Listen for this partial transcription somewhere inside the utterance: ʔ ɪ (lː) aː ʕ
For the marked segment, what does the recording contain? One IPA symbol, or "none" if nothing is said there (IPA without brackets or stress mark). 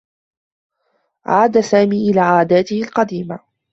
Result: l